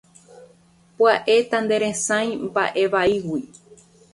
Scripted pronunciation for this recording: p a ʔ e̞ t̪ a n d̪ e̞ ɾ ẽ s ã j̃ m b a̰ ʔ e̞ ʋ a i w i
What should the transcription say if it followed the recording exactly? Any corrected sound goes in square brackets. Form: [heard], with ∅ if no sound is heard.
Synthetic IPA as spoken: p a ʔ e̞ t̪ a n d̪ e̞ ɾ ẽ s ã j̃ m b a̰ ʔ e̞ ʋ a i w i